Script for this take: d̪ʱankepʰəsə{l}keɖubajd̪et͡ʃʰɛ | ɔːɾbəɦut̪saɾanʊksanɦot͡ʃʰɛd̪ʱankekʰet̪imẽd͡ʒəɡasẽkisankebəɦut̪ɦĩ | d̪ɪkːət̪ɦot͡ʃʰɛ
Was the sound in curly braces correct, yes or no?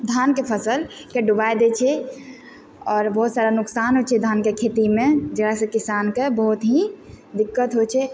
yes